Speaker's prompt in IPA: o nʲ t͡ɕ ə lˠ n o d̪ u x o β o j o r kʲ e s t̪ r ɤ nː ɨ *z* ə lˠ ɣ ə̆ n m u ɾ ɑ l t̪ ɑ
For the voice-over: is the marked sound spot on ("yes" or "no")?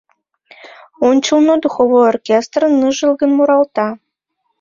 no